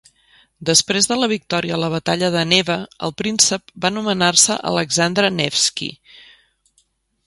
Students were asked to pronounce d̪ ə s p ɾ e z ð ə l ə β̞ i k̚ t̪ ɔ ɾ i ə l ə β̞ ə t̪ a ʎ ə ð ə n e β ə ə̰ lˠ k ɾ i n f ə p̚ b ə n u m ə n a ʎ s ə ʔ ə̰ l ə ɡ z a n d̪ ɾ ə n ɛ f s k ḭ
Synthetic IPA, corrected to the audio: d̪ ə s p ɾ e z ð ə l ə β̞ i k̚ t̪ ɔ ɾ i ə l ə β̞ ə t̪ a ʎ ə ð ə n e β ə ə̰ lˠ p ɾ i n s ə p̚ b a n u m ə n a r s ə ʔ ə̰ l ə ɡ z a n d̪ ɾ ə n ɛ f s k ḭ